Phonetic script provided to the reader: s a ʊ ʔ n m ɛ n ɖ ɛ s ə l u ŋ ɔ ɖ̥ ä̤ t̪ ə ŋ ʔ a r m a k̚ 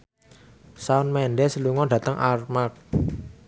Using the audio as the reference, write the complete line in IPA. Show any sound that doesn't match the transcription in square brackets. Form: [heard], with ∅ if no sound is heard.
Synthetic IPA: s a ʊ [∅] n m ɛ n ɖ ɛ s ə l u ŋ ɔ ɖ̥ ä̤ t̪ ə ŋ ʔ a r m a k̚